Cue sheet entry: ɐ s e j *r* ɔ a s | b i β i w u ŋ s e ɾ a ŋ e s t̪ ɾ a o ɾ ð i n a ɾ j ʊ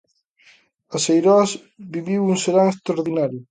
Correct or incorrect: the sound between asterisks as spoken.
incorrect: ɾ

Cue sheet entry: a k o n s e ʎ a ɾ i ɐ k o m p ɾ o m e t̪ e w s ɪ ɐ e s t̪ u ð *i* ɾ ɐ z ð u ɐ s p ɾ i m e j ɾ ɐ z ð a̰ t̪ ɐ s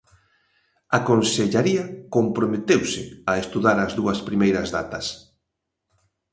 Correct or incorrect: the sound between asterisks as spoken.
incorrect: a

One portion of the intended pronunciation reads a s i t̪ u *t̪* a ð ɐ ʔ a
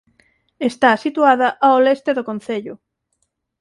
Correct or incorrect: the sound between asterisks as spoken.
incorrect: none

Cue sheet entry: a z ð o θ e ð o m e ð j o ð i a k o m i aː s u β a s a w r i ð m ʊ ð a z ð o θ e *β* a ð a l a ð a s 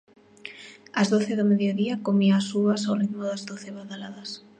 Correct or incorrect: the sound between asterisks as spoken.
correct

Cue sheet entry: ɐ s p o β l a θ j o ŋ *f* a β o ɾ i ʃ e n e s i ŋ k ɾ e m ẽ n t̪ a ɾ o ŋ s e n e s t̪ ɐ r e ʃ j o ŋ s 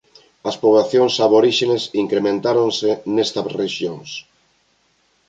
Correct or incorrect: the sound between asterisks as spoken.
incorrect: s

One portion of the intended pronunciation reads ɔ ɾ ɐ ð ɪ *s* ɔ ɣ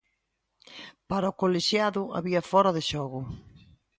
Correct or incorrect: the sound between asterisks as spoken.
incorrect: ʃ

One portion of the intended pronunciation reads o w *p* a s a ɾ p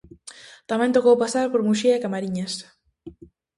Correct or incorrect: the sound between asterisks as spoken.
correct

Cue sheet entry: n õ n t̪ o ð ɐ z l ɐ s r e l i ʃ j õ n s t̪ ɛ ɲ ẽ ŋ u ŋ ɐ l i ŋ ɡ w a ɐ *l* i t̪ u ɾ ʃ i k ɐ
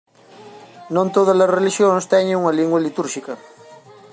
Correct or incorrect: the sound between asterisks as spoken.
correct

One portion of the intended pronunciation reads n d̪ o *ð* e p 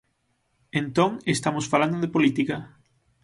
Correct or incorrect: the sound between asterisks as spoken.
correct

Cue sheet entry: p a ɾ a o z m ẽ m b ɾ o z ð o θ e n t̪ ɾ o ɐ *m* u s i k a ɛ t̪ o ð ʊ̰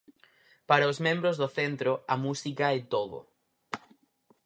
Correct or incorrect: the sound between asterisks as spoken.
correct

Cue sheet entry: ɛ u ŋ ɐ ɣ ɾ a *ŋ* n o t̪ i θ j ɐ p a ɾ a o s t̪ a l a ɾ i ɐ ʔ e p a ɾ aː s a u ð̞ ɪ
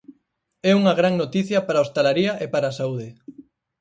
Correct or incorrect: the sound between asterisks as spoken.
correct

